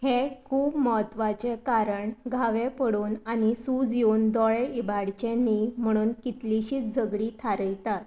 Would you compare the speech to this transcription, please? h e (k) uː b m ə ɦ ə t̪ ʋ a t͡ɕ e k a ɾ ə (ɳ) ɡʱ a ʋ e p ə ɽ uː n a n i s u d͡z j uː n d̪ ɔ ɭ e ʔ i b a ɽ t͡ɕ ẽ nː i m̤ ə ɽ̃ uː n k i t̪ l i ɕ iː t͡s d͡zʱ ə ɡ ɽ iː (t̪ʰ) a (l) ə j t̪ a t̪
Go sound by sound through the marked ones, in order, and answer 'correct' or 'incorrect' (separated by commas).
incorrect, correct, correct, incorrect